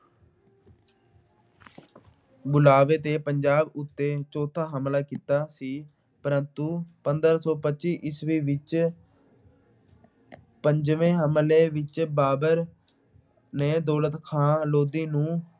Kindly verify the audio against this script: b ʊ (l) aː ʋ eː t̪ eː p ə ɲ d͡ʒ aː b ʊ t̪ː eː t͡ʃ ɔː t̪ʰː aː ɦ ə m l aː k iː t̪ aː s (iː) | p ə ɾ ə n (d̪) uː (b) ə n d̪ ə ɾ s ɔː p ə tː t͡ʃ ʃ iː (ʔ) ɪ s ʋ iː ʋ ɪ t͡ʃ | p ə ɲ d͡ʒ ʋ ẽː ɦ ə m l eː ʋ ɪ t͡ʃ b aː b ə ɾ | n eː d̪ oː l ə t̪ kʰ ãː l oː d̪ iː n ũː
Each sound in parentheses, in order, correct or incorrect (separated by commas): correct, correct, incorrect, incorrect, correct